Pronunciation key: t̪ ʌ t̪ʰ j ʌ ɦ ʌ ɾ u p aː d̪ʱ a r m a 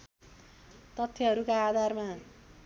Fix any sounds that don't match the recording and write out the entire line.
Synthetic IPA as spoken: t̪ ʌ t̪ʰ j ʌ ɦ ʌ ɾ u k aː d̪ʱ a r m a